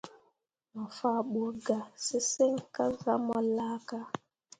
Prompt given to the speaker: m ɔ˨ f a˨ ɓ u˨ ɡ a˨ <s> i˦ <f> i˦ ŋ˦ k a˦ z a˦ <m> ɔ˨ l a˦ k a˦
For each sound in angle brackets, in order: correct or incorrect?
correct, incorrect: s, correct

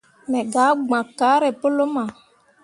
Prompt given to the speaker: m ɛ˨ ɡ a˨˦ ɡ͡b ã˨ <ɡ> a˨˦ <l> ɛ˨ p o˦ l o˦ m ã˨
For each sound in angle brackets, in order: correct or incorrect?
incorrect: k, incorrect: ɾ

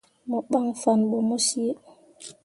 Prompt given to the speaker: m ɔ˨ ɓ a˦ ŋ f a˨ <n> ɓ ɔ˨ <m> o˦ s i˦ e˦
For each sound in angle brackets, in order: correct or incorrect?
correct, correct

